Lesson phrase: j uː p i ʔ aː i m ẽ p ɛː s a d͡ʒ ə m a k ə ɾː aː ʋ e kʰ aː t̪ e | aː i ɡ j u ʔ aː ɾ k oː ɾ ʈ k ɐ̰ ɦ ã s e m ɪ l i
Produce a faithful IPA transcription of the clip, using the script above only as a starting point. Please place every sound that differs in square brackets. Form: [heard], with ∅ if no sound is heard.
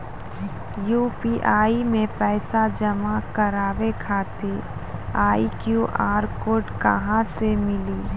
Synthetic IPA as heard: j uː p i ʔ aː i m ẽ p ɛː s a d͡ʒ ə m a k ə [ɾ] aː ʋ e kʰ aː t̪ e | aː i [k] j u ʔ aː ɾ k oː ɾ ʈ k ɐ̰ ɦ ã s e m ɪ l i